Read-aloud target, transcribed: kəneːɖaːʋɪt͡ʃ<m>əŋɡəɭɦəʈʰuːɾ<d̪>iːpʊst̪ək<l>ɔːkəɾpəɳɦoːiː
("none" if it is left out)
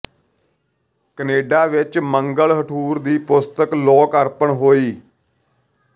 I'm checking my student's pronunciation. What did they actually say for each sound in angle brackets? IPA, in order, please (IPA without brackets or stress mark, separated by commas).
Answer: m, d̪, l